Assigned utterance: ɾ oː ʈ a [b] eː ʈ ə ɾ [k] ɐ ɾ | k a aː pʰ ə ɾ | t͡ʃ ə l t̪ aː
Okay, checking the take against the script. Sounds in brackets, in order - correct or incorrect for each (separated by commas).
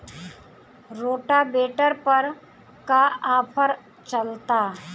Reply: correct, incorrect